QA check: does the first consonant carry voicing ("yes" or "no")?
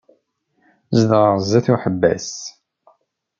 yes